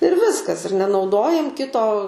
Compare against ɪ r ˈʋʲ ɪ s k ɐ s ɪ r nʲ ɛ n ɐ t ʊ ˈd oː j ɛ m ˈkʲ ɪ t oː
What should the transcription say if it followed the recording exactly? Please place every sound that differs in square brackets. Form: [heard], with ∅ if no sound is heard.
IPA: ɪ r ˈʋʲ ɪ s k ɐ s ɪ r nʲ ɛ n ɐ [∅] ʊ ˈd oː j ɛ m ˈkʲ ɪ t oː